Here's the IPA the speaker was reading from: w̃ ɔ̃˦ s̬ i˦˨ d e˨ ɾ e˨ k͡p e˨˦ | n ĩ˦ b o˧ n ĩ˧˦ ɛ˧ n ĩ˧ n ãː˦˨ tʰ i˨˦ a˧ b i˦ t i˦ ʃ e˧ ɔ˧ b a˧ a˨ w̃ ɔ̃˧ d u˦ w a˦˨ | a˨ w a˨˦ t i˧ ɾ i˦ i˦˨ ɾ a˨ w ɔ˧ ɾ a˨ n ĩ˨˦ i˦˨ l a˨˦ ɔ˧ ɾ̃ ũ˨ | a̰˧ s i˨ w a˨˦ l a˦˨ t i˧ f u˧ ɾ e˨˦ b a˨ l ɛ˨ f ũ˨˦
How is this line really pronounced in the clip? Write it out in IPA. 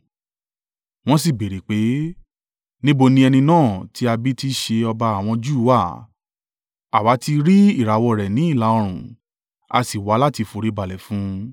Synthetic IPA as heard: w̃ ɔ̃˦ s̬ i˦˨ b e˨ ɾ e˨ k͡p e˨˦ | n ĩ˦ b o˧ n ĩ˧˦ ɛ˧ n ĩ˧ n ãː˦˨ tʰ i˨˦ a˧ b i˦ t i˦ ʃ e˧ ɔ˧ b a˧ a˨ w̃ ɔ̃˧ d͡ʒ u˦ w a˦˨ | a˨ w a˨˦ t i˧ ɾ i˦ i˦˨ ɾ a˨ w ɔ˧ ɾ ɛ˨ n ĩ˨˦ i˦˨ l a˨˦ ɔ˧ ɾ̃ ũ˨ | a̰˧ s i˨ w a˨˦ l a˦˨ t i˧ f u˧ ɾ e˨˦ b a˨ l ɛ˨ f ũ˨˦